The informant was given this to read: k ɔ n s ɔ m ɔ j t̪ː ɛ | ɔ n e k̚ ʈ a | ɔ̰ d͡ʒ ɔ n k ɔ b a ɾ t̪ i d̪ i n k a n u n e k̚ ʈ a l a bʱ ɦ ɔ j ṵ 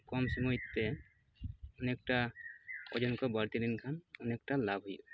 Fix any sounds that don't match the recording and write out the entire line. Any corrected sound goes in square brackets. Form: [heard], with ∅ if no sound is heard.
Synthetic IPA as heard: k ɔ [m] s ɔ m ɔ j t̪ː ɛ | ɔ n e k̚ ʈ a | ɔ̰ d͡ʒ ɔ n k ɔ b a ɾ t̪ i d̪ i n [kʰ] a n [ɔ] n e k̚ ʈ a l a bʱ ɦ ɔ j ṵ